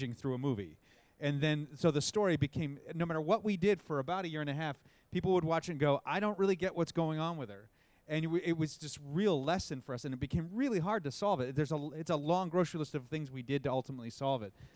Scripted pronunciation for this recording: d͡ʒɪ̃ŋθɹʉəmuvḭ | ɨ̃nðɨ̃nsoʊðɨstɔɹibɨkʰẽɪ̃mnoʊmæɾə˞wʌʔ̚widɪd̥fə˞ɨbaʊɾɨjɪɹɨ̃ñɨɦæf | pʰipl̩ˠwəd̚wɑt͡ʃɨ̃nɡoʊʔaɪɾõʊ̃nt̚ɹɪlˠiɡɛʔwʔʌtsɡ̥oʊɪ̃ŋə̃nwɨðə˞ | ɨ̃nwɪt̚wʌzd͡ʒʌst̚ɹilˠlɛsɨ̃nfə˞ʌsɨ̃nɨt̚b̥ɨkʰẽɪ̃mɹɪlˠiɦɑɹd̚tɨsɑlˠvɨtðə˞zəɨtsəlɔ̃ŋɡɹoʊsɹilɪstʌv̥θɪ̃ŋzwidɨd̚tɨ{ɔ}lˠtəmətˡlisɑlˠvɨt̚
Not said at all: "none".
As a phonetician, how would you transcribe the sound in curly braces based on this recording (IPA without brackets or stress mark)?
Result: ʌ